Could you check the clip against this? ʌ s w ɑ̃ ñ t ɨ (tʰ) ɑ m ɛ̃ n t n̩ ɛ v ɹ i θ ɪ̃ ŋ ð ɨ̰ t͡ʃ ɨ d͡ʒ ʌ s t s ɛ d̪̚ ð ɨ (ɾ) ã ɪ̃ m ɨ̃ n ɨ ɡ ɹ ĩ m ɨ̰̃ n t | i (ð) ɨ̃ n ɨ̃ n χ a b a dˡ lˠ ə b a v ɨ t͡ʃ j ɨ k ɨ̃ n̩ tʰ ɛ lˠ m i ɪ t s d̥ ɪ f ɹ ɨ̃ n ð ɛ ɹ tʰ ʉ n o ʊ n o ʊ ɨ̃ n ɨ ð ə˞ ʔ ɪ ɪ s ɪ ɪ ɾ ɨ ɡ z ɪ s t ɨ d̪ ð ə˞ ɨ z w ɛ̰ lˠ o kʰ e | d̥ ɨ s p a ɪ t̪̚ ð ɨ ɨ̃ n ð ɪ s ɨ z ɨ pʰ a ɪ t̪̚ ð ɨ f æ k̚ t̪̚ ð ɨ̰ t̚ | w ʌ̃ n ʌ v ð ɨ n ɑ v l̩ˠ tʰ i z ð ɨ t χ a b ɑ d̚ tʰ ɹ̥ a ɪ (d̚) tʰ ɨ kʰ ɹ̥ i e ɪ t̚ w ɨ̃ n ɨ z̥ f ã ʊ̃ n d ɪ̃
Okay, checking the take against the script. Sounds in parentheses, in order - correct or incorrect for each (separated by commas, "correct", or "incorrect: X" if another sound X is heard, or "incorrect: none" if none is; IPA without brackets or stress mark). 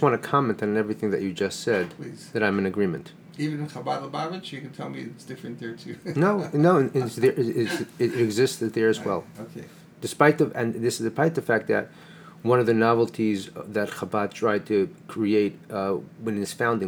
incorrect: kʰ, correct, incorrect: v, correct